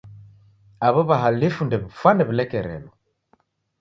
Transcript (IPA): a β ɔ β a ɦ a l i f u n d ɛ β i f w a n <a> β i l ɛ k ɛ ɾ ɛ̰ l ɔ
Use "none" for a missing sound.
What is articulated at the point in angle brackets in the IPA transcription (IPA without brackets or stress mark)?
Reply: ɛ